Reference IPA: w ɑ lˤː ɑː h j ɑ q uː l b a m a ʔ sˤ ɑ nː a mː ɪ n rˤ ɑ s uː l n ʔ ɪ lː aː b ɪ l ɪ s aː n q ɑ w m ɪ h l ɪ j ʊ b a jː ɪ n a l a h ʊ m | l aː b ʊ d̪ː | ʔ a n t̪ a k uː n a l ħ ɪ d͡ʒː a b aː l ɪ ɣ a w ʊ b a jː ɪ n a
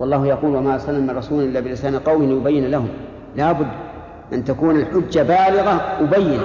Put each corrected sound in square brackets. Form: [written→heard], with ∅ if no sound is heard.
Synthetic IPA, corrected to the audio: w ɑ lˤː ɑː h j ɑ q uː l [b→w] a m a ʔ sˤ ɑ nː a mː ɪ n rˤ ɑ s uː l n ʔ ɪ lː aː b ɪ l ɪ s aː n q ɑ w m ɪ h l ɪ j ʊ b a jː ɪ n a l a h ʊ m | l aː b ʊ d̪ː | ʔ a n t̪ a k uː n a l ħ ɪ d͡ʒː a b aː l ɪ ɣ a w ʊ b a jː ɪ n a